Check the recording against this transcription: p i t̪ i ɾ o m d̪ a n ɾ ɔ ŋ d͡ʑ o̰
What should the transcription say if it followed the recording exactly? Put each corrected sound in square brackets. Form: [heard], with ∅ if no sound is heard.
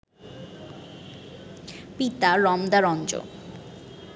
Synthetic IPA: p i t̪ [a] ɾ [ɔ] m d̪ a [∅] ɾ ɔ [n] d͡ʑ o̰